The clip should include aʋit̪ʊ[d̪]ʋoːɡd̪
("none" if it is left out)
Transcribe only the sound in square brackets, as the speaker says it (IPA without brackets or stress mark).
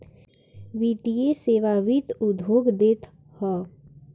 d̪